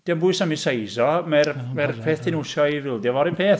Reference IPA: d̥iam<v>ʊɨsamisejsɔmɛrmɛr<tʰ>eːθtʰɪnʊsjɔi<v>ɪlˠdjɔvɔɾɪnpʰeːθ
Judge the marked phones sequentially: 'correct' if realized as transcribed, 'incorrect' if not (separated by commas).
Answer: incorrect, incorrect, correct